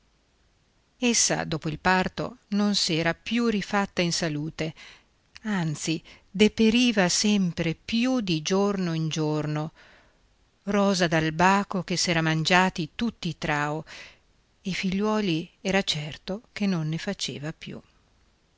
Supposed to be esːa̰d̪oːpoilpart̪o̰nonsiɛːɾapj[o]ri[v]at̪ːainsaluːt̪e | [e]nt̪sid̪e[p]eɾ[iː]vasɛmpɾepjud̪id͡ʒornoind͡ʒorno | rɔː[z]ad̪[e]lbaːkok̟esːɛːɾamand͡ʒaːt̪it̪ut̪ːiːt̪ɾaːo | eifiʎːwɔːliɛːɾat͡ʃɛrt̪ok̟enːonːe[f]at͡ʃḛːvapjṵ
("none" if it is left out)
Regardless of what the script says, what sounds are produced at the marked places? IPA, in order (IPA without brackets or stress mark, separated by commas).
u, f, a, p, iː, z, a, f